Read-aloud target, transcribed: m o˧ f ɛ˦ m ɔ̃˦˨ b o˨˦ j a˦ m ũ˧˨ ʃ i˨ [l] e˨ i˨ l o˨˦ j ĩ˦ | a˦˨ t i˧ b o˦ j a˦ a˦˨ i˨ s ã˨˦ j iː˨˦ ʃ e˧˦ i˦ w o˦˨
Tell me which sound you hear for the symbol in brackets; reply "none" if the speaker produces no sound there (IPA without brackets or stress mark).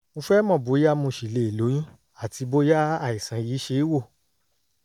l